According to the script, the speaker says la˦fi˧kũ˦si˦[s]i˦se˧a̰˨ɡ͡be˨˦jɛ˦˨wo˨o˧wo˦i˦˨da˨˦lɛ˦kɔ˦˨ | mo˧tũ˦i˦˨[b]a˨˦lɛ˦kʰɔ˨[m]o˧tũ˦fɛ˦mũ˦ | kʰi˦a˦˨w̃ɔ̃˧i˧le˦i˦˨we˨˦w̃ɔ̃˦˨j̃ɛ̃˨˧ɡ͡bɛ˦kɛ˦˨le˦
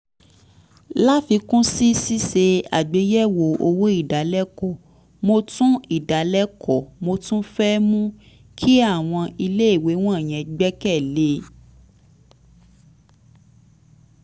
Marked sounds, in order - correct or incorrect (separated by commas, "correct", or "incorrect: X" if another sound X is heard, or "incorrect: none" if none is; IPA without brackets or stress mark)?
correct, incorrect: d, correct